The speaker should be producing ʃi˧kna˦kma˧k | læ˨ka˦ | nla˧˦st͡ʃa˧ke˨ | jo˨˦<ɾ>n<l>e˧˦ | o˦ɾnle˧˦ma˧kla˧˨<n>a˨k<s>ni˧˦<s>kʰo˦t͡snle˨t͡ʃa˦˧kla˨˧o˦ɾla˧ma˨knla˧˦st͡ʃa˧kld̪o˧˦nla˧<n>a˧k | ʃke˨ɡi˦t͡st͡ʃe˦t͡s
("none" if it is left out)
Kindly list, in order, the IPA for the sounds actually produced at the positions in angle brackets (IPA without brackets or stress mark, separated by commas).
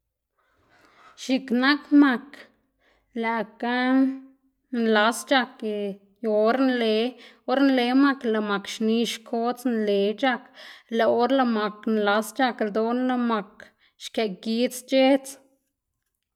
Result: ɾ, l, m, ʃ, ʃ, m